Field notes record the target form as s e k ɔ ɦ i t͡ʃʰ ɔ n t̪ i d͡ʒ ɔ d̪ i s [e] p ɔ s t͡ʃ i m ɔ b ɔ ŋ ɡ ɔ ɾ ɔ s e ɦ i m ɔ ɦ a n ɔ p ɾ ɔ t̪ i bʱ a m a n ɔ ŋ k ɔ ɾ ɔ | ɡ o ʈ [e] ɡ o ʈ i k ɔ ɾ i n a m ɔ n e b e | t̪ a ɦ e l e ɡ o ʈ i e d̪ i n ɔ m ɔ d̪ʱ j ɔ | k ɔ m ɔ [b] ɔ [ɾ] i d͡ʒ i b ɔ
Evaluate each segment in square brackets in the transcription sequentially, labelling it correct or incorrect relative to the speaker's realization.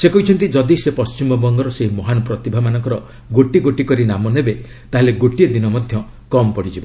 correct, incorrect: i, incorrect: p, incorrect: ɽ

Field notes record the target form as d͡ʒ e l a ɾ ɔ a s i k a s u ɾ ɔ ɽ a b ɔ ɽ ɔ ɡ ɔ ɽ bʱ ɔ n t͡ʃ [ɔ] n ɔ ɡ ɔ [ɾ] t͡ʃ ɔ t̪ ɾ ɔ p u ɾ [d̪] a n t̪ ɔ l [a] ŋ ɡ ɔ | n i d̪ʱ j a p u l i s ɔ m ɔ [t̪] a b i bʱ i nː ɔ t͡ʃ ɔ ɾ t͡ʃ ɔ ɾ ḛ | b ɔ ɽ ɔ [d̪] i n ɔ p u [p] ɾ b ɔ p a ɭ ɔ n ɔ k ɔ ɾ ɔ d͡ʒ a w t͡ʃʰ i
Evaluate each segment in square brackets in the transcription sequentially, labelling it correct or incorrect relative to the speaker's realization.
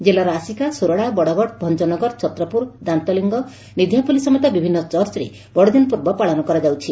correct, correct, correct, incorrect: i, correct, correct, incorrect: none

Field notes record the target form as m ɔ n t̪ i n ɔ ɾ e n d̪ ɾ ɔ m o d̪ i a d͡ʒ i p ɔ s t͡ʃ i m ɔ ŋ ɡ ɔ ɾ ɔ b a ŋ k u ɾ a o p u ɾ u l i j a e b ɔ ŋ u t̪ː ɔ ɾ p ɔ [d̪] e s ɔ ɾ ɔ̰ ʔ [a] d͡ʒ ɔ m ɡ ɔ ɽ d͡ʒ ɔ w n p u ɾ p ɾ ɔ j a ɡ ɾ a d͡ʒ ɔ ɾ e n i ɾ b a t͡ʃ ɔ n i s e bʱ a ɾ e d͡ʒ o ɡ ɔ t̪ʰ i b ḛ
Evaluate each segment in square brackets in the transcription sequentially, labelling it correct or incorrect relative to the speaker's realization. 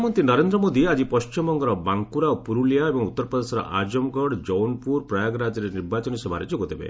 correct, correct

